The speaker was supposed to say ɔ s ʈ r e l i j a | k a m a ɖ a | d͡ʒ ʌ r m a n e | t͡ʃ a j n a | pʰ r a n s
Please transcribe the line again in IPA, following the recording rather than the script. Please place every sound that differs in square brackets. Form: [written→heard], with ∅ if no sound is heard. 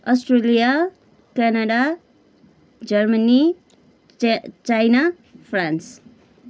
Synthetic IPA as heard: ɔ s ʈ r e l i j a | k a [m→n] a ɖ a | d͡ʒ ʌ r m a n [e→i] | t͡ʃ a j n a | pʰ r a n s

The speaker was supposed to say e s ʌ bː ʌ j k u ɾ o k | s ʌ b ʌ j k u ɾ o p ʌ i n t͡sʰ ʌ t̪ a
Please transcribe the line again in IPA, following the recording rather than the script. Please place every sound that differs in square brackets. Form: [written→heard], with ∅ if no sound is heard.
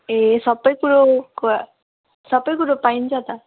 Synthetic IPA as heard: e s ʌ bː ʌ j k u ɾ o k | s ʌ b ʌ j k u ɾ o p [ʌ→a] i n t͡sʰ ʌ t̪ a

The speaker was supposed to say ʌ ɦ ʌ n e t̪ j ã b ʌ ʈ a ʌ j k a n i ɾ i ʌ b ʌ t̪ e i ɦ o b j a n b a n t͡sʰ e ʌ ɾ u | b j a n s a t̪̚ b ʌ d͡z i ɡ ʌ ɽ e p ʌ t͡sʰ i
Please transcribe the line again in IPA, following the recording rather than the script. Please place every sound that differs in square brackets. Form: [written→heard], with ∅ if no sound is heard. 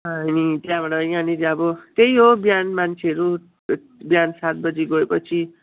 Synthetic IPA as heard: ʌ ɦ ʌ n [e→i] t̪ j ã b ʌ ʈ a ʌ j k a n i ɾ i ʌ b ʌ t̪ e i ɦ o b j a n [b→m] a n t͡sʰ e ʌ ɾ u | b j a n s a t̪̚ b ʌ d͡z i ɡ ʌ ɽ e p ʌ t͡sʰ i

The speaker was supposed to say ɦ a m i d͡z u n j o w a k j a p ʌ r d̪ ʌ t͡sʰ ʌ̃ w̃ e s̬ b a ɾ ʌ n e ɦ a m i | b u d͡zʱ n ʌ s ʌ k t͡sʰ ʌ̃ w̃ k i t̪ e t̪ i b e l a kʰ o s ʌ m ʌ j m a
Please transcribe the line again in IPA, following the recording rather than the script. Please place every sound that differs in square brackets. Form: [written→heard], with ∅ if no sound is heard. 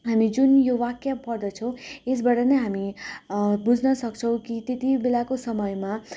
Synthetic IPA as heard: ɦ a m i d͡z u n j o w a k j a p ʌ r d̪ ʌ t͡sʰ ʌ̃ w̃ e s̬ b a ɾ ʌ n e ɦ a m i | b u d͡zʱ n ʌ s ʌ k t͡sʰ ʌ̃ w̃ k i t̪ e t̪ i b e l a [kʰ→k] o s ʌ m ʌ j m a

